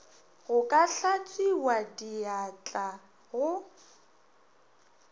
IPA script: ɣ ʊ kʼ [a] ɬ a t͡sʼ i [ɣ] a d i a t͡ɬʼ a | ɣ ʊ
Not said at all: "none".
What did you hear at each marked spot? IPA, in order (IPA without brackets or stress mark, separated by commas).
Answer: a, w